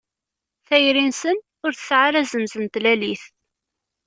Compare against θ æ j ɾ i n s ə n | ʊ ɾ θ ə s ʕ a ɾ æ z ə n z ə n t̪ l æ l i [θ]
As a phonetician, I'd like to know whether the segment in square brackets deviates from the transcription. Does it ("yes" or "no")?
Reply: no